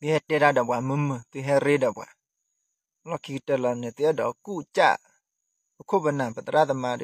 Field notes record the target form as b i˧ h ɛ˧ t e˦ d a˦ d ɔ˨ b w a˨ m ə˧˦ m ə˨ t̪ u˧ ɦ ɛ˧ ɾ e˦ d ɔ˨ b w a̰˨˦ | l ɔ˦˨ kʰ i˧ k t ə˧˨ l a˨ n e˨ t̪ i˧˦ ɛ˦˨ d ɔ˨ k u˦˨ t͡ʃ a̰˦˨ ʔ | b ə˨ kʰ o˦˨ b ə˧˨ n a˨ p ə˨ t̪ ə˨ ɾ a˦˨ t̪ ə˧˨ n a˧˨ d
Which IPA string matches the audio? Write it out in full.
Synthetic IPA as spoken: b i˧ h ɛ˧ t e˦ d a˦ d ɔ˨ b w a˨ m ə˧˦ m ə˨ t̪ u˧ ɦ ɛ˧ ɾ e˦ d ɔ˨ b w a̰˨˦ | l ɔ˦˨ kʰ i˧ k t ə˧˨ l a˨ n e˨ t̪ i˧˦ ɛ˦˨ d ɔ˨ k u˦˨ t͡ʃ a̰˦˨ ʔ | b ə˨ kʰ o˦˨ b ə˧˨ n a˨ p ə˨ t̪ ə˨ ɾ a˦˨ t̪ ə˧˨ m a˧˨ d